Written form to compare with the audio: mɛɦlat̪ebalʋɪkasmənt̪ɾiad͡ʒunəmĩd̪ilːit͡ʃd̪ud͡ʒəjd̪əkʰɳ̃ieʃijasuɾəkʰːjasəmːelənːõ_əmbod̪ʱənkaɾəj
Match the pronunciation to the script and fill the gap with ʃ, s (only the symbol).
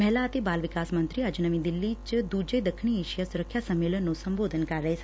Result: s